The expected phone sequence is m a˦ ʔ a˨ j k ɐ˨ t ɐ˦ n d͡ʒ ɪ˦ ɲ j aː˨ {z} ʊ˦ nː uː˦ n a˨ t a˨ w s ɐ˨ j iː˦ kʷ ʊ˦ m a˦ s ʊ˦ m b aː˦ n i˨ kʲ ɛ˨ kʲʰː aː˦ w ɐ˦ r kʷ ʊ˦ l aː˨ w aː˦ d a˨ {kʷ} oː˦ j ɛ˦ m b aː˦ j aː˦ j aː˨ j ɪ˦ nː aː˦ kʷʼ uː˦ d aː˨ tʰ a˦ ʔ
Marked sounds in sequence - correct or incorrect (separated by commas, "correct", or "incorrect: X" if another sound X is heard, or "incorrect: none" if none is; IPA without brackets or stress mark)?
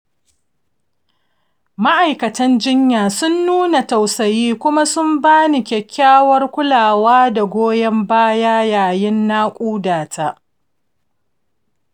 incorrect: s, incorrect: ɡʷ